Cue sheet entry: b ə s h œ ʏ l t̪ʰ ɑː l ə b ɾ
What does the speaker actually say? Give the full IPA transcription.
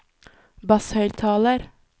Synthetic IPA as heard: b ɑ s h œ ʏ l t̪ʰ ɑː l ə ɾ